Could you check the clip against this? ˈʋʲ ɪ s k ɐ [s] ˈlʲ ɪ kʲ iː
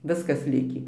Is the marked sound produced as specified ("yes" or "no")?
yes